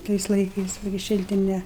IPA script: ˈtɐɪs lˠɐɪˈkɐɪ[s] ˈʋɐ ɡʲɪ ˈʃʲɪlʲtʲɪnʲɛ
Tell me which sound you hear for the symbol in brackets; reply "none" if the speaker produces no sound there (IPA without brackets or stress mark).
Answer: s